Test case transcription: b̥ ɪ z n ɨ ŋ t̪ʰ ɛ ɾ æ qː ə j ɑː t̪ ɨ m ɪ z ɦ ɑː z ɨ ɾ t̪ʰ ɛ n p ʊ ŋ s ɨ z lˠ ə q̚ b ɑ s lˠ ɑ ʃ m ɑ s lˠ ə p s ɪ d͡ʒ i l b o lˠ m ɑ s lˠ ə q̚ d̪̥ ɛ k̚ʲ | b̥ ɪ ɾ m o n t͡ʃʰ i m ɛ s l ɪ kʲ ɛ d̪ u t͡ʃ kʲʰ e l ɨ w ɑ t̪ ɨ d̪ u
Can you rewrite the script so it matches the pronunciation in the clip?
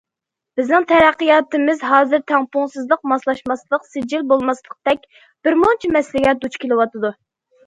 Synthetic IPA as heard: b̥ ɪ z n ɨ ŋ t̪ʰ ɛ ɾ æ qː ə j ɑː t̪ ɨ m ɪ z ɦ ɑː z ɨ ɾ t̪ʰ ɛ ŋ p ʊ ŋ s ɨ z lˠ ə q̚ m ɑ s lˠ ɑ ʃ m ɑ s lˠ ə q s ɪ d͡ʒ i l b o lˠ m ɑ s lˠ ə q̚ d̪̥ ɛ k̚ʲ | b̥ ɪ ɾ m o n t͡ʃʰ i m ɛ s l ɪ ɡʲ ɛ d̪ u t͡ʃ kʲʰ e l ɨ w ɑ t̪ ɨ d̪ u